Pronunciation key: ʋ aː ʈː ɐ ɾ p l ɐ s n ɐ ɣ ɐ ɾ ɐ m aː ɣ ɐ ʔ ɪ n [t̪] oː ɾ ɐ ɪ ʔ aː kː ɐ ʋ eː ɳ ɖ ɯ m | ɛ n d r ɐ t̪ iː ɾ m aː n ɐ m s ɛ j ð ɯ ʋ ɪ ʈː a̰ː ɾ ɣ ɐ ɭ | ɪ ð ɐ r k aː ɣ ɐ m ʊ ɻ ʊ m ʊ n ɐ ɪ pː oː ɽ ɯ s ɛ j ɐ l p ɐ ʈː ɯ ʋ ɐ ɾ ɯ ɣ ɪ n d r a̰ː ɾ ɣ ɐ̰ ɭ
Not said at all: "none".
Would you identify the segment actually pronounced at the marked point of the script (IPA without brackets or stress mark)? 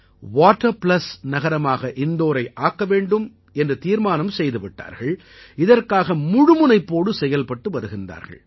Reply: d̪